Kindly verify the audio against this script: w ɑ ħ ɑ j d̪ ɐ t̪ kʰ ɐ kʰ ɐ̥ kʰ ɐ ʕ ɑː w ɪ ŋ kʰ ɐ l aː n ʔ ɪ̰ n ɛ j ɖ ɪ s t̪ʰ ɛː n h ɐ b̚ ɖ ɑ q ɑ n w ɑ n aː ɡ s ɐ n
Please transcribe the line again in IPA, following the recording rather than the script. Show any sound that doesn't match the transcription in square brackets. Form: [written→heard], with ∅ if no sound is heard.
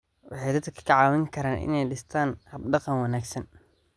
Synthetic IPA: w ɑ ħ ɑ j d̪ ɐ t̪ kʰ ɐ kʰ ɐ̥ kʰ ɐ ʕ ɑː w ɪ ŋ kʰ ɐ [l→ɾ] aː n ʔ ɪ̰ n ɛ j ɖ ɪ s t̪ʰ [ɛː→aː] n h ɐ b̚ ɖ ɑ q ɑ n w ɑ n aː ɡ s ɐ n